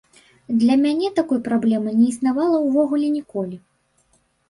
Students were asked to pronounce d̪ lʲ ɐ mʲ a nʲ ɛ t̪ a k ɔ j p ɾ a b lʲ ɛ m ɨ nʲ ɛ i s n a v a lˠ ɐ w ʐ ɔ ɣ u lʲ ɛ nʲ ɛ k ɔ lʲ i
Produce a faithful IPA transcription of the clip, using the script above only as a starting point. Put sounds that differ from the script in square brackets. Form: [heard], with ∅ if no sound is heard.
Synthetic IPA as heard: d̪ lʲ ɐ mʲ a nʲ ɛ t̪ a k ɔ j p ɾ a b lʲ ɛ m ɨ nʲ ɛ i s n a v a lˠ ɐ w [v] ɔ ɣ u lʲ ɛ nʲ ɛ k ɔ lʲ i